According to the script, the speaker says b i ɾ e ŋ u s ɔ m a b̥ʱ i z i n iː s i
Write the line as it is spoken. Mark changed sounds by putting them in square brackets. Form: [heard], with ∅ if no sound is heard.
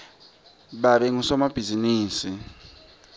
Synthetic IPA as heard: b [a] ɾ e ŋ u s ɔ m a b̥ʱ i z i n iː s i